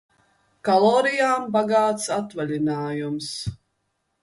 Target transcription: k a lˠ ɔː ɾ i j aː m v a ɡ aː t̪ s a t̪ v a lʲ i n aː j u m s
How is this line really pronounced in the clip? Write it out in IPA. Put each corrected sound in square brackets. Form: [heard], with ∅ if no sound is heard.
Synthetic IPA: k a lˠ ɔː ɾ i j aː m [b] a ɡ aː t̪ s a t̪ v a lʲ i n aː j u m s